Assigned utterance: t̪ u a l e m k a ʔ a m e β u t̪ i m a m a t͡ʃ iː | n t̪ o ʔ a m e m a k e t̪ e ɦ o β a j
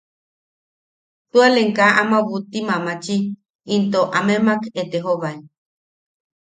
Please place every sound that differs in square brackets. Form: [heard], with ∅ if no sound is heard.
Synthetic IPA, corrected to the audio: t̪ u a l e [ŋ] k a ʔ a m [a] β u t̪ i m a m a t͡ʃ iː | n t̪ o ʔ a m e m a k e t̪ e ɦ o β a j